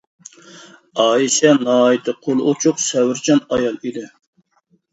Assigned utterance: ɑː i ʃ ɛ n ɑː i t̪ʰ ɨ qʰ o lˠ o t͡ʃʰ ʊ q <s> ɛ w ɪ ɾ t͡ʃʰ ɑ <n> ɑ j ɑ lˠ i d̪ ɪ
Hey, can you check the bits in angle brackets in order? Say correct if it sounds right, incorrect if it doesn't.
correct, correct

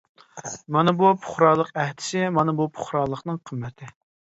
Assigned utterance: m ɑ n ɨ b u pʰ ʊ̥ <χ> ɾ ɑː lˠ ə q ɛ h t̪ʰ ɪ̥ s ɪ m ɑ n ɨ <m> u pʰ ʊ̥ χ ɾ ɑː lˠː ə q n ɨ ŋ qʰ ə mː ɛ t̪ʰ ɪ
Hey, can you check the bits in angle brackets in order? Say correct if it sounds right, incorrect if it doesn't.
correct, incorrect

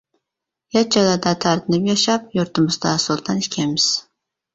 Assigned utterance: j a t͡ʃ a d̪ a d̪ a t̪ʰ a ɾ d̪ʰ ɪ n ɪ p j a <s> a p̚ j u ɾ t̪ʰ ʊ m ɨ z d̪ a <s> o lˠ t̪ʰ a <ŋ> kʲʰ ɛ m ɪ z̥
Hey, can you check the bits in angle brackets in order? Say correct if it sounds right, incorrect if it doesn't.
incorrect, correct, incorrect

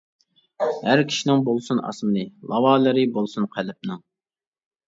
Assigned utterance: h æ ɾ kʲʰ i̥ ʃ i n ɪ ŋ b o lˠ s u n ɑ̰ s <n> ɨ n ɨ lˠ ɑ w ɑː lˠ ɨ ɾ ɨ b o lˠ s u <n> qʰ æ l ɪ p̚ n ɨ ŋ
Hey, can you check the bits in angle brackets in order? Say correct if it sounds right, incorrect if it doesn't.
incorrect, correct

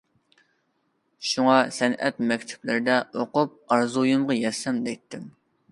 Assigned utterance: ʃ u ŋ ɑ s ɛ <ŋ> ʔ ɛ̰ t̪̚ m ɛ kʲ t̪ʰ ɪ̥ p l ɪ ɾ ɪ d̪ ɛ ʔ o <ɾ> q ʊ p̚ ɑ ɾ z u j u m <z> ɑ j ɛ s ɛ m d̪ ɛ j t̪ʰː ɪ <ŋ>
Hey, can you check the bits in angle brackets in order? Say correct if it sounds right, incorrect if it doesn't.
incorrect, incorrect, incorrect, incorrect

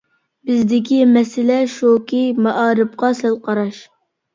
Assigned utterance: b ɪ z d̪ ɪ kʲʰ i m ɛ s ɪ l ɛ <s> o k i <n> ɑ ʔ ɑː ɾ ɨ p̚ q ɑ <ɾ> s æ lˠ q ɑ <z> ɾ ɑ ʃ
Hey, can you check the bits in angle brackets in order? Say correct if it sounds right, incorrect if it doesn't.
incorrect, incorrect, incorrect, incorrect

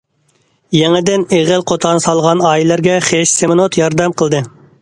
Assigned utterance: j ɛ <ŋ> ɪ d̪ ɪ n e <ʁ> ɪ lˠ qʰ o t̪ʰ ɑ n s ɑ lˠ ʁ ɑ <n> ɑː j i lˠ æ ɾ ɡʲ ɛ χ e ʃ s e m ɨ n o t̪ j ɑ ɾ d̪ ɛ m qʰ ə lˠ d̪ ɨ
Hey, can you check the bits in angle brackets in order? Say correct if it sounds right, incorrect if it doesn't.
correct, correct, correct

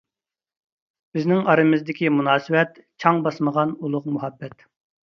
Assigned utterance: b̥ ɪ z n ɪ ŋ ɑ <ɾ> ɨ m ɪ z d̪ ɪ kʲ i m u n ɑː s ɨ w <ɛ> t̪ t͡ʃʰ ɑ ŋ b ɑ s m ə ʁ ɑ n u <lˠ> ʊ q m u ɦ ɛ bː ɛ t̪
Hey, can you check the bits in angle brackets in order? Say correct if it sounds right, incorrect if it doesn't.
correct, correct, correct

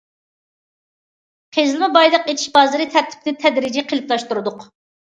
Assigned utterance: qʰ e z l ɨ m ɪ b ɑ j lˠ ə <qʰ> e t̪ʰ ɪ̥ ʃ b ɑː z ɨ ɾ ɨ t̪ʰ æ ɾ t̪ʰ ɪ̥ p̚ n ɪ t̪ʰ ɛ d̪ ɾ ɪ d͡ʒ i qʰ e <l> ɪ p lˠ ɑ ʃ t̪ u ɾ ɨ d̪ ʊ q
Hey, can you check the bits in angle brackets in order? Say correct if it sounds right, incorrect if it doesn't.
incorrect, correct

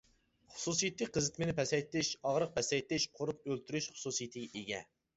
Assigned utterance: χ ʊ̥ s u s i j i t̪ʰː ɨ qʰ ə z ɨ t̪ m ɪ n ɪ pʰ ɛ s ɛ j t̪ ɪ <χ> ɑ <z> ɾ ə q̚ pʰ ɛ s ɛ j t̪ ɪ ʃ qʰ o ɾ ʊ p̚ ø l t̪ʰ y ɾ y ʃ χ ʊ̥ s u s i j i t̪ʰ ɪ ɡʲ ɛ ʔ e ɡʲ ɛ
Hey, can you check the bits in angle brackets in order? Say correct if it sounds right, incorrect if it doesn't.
incorrect, incorrect

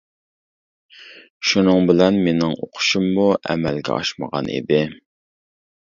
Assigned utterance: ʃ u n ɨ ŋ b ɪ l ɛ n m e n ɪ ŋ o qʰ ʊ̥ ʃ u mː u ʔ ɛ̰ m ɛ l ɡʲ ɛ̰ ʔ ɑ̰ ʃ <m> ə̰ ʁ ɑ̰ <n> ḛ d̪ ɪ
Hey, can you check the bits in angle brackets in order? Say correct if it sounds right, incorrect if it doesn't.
correct, correct

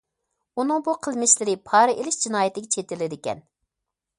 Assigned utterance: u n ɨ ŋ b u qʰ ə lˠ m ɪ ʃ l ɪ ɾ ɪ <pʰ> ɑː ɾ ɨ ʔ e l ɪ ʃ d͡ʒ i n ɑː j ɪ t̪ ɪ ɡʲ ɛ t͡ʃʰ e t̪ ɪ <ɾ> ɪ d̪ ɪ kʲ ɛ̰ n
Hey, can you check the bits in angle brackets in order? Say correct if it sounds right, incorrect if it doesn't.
correct, incorrect

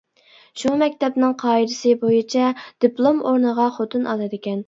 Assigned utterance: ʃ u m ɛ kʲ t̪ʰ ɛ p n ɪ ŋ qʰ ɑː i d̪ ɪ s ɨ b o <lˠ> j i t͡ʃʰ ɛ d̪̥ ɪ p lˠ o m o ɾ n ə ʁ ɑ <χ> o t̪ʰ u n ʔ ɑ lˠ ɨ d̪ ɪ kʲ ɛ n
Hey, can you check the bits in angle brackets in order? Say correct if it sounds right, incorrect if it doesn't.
incorrect, correct

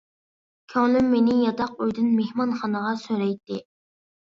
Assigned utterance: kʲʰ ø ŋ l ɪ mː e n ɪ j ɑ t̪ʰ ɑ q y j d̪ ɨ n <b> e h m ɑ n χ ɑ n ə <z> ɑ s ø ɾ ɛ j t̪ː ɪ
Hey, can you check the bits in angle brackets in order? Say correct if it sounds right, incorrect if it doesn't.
incorrect, incorrect

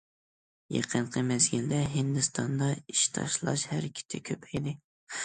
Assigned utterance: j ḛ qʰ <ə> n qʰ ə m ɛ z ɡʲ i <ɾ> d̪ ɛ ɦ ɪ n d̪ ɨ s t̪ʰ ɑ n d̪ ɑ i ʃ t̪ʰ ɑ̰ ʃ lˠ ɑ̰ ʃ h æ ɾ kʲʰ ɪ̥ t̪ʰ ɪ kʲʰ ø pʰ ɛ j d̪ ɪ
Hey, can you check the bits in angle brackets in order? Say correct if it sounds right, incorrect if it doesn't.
correct, incorrect

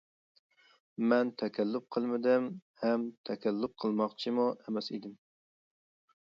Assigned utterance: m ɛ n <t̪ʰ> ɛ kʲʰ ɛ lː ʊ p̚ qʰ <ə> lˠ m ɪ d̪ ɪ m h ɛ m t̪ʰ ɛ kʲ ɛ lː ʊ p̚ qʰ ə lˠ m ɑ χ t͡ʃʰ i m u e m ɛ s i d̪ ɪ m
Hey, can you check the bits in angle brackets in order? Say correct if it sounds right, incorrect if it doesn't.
correct, correct

